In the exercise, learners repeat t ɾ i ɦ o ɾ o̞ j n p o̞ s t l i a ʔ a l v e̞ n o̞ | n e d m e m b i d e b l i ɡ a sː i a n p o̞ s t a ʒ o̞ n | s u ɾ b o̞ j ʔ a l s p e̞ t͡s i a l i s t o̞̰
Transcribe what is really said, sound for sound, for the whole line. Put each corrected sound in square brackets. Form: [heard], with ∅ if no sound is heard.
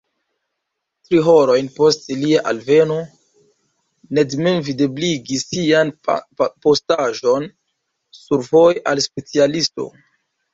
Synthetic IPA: t ɾ i ɦ o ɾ o̞ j n p o̞ s t l i a ʔ a l v e̞ n o̞ | n e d m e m [v] i d e b l i ɡ [i] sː i a n p o̞ s t a ʒ o̞ n | s u ɾ [v] o̞ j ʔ a l s p e̞ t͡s i a l i s t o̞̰